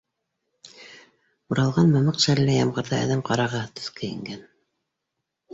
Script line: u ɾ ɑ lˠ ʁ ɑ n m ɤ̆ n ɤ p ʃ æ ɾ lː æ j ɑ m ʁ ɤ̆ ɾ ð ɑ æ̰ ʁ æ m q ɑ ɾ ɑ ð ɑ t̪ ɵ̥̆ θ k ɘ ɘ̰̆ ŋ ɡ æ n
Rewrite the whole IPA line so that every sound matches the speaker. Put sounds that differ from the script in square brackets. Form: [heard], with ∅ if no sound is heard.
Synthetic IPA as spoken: u ɾ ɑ lˠ ʁ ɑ n m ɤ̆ [m] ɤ [q] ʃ æ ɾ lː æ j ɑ m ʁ ɤ̆ ɾ ð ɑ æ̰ [ð] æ m q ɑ ɾ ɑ [ʁ] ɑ t̪ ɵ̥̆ θ k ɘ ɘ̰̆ ŋ ɡ æ n